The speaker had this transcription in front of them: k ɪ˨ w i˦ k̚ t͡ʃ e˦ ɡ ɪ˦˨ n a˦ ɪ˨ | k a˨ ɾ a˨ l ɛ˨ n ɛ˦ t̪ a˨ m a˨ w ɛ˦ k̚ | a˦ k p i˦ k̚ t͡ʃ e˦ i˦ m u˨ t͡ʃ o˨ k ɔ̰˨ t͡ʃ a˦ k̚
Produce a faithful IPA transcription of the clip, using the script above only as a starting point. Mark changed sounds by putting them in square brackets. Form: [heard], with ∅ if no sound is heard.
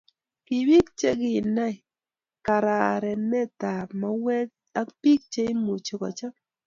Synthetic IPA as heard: k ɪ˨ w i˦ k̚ t͡ʃ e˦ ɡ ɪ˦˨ n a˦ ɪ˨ | k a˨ ɾ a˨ [ɾ] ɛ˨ n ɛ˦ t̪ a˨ m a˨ w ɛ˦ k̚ | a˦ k p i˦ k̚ t͡ʃ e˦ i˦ m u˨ t͡ʃ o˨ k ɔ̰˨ t͡ʃ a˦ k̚